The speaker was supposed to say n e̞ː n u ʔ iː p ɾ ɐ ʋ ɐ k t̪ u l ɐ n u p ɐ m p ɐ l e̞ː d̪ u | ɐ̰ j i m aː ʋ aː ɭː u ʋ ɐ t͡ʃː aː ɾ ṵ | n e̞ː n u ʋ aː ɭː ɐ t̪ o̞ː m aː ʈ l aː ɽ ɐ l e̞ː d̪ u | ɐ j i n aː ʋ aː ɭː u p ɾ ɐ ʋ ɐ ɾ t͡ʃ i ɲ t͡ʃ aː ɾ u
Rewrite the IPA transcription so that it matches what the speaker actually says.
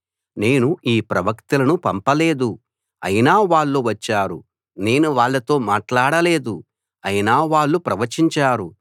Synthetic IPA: n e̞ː n u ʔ iː p ɾ ɐ ʋ ɐ k t̪ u l ɐ n u p ɐ m p ɐ l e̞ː d̪ u | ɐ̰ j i n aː ʋ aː ɭː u ʋ ɐ t͡ʃː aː ɾ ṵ | n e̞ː n u ʋ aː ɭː ɐ t̪ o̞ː m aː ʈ l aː ɽ ɐ l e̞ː d̪ u | ɐ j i n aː ʋ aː ɭː u p ɾ ɐ ʋ ɐ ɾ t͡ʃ i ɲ t͡ʃ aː ɾ u

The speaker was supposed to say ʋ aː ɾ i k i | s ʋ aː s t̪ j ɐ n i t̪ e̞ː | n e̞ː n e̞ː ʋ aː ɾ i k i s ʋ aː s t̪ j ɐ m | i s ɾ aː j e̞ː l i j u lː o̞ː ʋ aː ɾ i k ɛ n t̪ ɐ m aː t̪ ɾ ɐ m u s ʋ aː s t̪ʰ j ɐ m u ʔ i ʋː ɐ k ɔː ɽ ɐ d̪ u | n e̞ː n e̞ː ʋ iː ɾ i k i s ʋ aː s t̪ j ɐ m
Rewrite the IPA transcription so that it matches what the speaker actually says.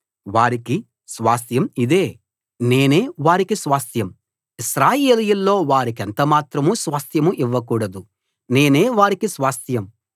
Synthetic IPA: ʋ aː ɾ i k i | s ʋ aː s t̪ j ɐ m i d̪ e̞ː | n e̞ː n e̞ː ʋ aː ɾ i k i s ʋ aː s t̪ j ɐ m | i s ɾ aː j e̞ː l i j u lː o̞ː ʋ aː ɾ i k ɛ n t̪ ɐ m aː t̪ ɾ ɐ m u s ʋ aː s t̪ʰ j ɐ m u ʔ i ʋː ɐ k uː ɽ ɐ d̪ u | n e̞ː n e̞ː ʋ aː ɾ i k i s ʋ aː s t̪ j ɐ m

